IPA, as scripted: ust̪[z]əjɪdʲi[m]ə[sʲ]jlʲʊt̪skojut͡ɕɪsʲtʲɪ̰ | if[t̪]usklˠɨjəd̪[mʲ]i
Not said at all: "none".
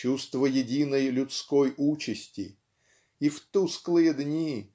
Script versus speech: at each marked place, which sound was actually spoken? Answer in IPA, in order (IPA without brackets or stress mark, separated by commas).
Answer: v, n, none, t̪, nʲ